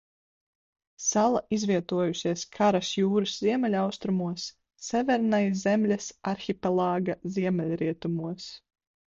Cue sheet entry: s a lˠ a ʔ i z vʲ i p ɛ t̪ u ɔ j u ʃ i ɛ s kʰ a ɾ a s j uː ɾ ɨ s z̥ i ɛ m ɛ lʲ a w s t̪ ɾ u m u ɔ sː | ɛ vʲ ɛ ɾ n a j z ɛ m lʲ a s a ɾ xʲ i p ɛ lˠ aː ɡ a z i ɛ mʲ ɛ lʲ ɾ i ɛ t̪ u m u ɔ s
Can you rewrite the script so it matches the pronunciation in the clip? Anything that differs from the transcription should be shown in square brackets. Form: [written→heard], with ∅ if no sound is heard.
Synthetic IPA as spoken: s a lˠ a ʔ i z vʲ i [p→∅] ɛ t̪ u ɔ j u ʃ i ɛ s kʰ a ɾ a s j uː ɾ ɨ s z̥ i ɛ m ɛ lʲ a w s t̪ ɾ u m u ɔ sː | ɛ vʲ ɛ ɾ n a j z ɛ m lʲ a s a ɾ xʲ i p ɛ lˠ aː ɡ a z i ɛ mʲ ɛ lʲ ɾ i ɛ t̪ u m u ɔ s

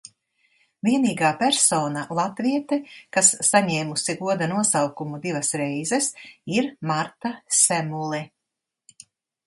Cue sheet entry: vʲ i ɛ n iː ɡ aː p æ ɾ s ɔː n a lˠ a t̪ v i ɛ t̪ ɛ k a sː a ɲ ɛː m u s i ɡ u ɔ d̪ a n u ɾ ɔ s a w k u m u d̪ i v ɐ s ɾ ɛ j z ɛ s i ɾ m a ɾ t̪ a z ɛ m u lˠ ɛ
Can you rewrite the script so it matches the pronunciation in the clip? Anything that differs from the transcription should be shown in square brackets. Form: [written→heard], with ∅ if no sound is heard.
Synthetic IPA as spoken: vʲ i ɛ n iː ɡ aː p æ ɾ s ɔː n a lˠ a t̪ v i ɛ t̪ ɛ k a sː a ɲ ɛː m u s i ɡ u ɔ d̪ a n u [ɾ→∅] ɔ s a w k u m u d̪ i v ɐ s ɾ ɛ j z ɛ s i ɾ m a ɾ t̪ a [z→s] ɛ m u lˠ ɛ

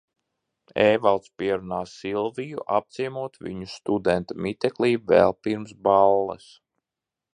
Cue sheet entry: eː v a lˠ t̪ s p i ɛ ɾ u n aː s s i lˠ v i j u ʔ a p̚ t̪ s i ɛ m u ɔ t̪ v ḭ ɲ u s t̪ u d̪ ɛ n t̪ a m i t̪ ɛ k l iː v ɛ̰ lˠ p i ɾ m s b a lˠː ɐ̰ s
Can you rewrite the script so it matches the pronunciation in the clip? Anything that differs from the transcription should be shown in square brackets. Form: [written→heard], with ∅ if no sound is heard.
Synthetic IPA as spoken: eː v a lˠ t̪ s p i ɛ ɾ u n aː s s i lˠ v i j u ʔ a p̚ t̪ s i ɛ m u ɔ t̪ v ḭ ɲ u s t̪ u d̪ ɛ n t̪ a m i t̪ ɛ k l iː v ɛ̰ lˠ p i ɾ m s b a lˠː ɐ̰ s

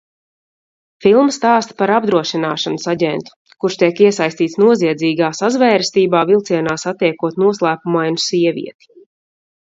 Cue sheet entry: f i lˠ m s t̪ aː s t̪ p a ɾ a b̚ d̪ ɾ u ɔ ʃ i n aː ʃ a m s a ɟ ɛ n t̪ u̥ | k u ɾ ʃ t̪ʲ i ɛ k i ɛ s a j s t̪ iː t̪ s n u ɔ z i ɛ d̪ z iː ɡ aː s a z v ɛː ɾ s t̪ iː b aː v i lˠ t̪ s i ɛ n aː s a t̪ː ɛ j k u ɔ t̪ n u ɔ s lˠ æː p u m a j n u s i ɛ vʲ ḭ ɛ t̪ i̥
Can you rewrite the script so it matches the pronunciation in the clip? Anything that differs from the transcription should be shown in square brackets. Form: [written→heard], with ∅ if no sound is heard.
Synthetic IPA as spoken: f i lˠ m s t̪ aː s t̪ p a ɾ a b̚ d̪ ɾ u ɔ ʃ i n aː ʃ a [m→n] s a ɟ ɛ n t̪ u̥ | k u ɾ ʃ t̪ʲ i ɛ k i ɛ s a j s t̪ iː t̪ s n u ɔ z i ɛ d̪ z iː ɡ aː s a z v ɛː ɾ s t̪ iː b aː v i lˠ t̪ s i ɛ n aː s a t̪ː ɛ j k u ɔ t̪ n u ɔ s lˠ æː p u m a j n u s i ɛ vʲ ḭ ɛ t̪ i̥

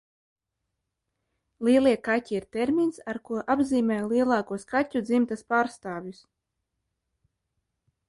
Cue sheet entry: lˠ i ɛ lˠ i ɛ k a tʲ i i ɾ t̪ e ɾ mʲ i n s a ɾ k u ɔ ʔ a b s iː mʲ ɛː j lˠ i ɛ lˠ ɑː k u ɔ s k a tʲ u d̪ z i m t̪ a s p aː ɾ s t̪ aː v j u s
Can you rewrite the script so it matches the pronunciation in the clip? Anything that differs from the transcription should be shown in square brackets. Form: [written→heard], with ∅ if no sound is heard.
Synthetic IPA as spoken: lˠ i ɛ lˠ i ɛ k a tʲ i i ɾ t̪ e ɾ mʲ i n s a ɾ k u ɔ ʔ a b [s→z] iː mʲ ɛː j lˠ i ɛ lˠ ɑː k u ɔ s k a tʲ u d̪ z i m t̪ a s p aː ɾ s t̪ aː v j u s

